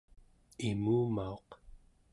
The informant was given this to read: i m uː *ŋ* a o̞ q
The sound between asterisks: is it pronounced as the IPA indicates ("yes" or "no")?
no